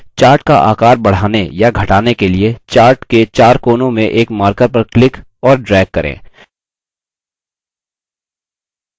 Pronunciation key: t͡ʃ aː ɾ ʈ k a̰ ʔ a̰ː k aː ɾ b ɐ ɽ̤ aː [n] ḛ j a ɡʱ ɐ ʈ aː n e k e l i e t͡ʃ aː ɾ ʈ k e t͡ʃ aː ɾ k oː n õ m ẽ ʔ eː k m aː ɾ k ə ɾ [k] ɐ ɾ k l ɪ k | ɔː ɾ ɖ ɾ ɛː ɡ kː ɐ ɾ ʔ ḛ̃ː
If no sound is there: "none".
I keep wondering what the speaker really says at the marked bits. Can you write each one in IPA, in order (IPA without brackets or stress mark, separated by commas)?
n, p